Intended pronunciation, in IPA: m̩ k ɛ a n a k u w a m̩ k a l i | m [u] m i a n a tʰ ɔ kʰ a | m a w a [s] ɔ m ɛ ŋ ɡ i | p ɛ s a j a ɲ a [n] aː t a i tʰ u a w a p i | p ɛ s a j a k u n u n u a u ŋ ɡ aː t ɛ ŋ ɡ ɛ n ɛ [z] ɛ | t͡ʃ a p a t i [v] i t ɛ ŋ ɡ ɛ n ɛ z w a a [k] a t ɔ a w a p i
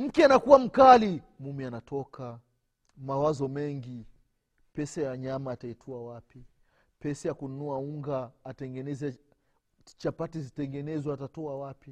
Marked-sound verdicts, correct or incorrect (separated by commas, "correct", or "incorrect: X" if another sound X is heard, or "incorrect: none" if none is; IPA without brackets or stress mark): correct, incorrect: z, incorrect: m, correct, incorrect: z, incorrect: t